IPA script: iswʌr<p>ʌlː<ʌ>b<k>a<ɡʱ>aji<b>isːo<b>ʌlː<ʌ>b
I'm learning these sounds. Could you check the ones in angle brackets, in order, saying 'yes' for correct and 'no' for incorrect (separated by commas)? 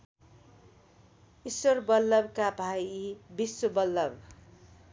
no, yes, yes, no, yes, yes, yes